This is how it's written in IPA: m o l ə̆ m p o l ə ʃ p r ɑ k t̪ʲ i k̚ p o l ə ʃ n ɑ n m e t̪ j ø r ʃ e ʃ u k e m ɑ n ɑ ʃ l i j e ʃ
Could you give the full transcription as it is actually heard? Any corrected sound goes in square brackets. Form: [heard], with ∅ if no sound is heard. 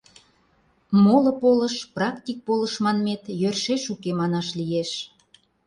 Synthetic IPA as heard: m o l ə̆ [∅] p o l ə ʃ p r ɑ k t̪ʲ i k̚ p o l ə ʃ [m] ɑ n m e t̪ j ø r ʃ e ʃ u k e m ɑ n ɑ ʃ l i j e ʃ